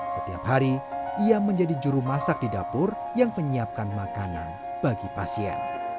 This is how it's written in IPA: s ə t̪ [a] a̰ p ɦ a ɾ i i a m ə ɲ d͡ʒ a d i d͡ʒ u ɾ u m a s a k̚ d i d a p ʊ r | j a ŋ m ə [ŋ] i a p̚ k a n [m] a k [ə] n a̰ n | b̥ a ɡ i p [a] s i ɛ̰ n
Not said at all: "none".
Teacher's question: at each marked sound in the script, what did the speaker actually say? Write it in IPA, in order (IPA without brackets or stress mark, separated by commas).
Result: i, ɲ, m, a, a